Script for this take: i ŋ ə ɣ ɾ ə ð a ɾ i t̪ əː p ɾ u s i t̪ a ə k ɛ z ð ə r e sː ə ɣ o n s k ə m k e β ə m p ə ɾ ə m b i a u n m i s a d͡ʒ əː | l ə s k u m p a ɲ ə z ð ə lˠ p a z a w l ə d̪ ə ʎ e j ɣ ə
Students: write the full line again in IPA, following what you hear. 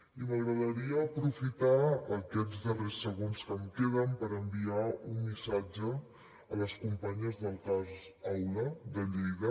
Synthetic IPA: i m ə ɣ ɾ ə ð ə ɾ i əː p ɾ u f i t̪ a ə k ɛ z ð ə r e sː ə ɣ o n s k ə m k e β ə m p ə ɾ ə m b i a u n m i s a d͡ʒ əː | l ə s k u m p a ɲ ə z ð ə lˠ k a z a w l ə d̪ ə ʎ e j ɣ ə